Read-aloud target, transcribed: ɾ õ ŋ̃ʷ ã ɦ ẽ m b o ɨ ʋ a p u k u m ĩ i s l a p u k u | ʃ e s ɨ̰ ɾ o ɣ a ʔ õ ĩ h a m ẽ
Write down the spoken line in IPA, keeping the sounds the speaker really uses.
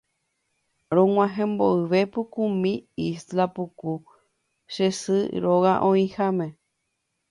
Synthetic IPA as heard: ɾ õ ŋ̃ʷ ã ɦ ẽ m b o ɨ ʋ e p u k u m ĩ i s l a p u k u | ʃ e s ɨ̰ ɾ o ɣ a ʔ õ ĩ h a m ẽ